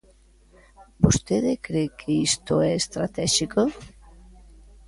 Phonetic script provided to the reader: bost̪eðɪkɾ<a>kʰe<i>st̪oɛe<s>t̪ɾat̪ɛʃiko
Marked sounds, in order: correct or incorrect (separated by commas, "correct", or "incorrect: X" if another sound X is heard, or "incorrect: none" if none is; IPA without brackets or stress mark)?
incorrect: e, correct, correct